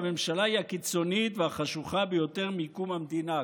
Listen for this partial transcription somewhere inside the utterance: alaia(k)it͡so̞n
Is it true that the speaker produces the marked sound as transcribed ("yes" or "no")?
yes